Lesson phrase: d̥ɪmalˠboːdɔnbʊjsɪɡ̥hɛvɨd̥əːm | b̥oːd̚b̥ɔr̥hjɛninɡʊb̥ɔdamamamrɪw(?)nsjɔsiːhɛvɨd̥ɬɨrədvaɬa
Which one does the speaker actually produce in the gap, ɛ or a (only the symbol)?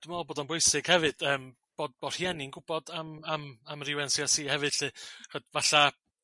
ɛ